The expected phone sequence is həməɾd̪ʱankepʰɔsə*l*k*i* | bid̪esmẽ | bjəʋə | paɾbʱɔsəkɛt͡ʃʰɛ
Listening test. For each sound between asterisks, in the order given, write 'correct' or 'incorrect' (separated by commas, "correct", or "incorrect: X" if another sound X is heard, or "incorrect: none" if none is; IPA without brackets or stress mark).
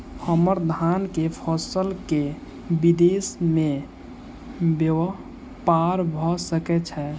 correct, incorrect: e